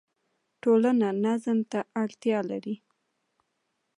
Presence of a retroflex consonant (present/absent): present